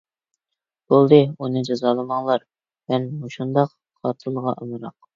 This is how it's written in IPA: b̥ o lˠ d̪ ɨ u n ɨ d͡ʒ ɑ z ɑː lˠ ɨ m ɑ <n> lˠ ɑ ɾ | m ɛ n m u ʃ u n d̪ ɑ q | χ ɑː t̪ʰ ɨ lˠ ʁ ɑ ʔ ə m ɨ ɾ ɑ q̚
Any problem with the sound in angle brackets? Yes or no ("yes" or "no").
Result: yes